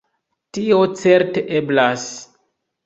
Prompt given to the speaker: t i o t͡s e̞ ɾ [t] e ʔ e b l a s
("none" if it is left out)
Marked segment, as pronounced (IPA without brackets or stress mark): t